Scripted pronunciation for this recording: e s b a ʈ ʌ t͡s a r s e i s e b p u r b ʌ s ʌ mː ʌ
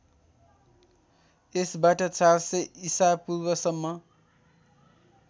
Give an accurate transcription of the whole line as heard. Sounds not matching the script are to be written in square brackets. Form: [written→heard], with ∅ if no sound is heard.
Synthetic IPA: e s b a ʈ ʌ t͡s a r s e i s [e→a] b p u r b ʌ s ʌ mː ʌ